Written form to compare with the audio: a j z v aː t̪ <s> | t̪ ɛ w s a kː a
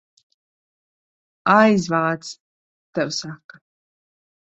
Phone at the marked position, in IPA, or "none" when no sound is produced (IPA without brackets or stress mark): s